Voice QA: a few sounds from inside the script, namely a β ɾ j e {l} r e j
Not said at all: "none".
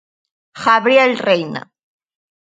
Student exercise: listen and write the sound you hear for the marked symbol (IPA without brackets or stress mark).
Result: l